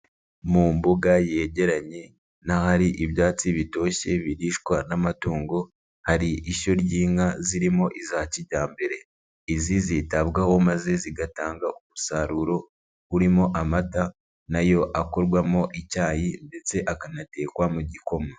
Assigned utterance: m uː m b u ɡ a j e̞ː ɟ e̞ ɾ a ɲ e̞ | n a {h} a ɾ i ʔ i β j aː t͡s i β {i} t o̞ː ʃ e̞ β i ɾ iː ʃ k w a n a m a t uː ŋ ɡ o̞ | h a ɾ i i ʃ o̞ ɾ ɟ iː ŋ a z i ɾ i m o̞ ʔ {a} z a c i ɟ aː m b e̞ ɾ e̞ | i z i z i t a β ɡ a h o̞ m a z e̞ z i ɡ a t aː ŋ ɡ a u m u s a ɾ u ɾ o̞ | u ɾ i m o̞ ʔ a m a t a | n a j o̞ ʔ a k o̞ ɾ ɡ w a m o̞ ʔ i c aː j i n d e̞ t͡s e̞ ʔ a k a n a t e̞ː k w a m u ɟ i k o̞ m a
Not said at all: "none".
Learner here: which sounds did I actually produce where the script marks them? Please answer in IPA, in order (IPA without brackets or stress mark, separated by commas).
h, i, i